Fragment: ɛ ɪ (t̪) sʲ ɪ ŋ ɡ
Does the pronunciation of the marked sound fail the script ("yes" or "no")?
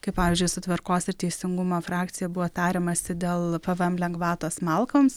yes